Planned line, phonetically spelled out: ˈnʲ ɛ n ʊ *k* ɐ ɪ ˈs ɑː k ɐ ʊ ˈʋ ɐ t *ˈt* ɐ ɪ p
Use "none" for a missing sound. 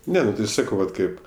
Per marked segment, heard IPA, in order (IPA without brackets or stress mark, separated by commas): t, k